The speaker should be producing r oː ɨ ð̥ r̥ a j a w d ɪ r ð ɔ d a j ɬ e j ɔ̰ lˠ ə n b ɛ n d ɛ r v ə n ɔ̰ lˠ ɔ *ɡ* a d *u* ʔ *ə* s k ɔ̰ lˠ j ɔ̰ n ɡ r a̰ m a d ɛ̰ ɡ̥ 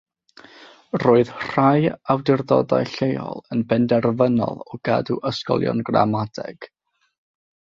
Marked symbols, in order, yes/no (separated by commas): yes, yes, yes